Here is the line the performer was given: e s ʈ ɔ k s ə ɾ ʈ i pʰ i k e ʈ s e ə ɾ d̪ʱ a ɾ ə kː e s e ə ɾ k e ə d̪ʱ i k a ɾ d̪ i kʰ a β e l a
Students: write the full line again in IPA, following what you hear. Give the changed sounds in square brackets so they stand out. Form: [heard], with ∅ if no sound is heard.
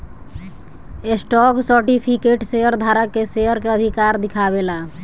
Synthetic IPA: e s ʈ ɔ k s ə ɾ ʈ i pʰ i k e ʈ s e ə ɾ d̪ʱ a ɾ ə kː e s e ə ɾ k e ə d̪ʱ i k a ɾ d̪ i kʰ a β e l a